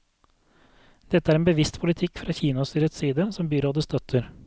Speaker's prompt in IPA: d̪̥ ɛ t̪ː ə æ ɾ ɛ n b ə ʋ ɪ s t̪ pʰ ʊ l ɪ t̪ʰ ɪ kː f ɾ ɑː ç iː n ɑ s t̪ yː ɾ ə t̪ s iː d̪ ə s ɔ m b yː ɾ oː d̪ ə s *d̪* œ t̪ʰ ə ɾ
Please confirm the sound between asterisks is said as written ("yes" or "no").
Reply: no